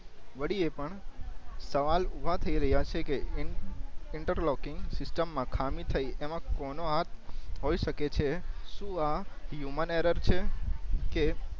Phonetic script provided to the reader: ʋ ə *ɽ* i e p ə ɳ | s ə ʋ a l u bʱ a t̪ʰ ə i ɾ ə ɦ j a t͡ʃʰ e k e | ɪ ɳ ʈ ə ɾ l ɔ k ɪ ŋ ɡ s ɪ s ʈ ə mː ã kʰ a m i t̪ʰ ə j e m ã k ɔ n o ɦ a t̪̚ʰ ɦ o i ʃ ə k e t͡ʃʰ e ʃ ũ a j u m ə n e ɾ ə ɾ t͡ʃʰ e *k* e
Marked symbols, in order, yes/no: yes, yes

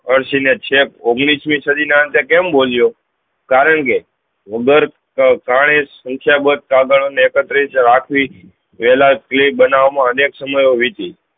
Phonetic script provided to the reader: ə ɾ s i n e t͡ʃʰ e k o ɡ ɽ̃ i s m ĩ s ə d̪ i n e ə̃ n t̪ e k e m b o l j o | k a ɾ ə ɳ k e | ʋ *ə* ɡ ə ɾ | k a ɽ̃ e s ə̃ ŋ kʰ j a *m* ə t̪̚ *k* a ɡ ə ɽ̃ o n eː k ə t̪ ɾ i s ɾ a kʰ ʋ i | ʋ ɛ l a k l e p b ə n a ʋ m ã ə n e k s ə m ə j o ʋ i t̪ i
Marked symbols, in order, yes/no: yes, no, yes

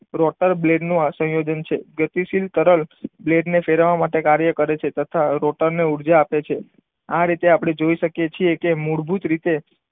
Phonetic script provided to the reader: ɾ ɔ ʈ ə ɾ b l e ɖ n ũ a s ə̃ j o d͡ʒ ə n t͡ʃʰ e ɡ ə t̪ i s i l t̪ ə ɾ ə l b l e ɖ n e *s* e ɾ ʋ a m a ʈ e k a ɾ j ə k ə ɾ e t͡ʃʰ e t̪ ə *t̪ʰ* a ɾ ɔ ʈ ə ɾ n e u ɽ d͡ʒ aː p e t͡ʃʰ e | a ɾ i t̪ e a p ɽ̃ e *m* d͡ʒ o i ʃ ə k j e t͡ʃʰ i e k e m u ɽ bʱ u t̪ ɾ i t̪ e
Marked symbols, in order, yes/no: no, yes, no

